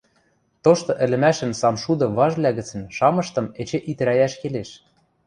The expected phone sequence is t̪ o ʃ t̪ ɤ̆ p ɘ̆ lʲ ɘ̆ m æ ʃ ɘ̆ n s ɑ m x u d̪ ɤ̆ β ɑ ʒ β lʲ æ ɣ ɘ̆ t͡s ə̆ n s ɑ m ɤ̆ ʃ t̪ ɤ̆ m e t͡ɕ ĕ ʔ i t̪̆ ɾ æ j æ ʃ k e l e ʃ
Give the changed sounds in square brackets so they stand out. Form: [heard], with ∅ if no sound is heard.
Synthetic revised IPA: t̪ o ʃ t̪ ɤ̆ [ʔ] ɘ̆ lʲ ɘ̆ m æ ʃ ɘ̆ n s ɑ m [ʃ] u d̪ ɤ̆ β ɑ ʒ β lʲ æ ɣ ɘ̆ t͡s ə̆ n [ʃ] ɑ m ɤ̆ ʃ t̪ ɤ̆ m e t͡ɕ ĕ ʔ i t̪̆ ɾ æ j æ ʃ k e l e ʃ